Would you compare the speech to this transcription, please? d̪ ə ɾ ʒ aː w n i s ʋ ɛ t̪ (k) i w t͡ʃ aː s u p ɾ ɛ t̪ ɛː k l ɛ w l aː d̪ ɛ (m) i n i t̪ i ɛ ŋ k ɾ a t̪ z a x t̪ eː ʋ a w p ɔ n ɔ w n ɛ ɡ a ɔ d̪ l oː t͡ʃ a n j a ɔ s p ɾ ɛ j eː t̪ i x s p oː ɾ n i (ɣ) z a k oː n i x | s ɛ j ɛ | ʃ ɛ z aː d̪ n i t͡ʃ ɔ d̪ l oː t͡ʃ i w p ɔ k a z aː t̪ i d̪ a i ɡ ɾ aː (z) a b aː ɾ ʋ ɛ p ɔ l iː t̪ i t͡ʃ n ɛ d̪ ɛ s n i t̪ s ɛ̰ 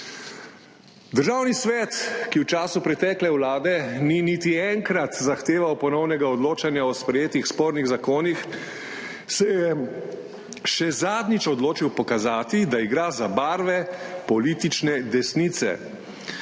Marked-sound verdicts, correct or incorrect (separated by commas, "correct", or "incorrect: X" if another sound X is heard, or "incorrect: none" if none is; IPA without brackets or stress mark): correct, incorrect: n, correct, correct